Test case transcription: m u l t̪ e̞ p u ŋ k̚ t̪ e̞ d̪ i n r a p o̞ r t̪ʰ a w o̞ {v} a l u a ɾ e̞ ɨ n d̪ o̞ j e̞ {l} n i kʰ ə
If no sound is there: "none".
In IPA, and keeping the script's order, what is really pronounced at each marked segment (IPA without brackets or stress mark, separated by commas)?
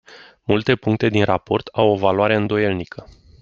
v, l